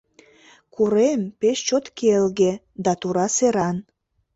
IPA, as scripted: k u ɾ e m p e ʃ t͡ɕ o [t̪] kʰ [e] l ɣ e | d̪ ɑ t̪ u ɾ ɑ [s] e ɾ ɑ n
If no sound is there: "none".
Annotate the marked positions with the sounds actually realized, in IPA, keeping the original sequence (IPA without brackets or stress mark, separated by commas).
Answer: t̪, e, s